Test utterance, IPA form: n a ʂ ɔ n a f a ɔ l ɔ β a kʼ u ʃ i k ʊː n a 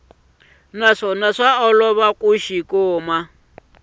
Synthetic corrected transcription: n a ʂ ɔ n a ʂ a ɔ l ɔ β a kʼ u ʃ i k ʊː m a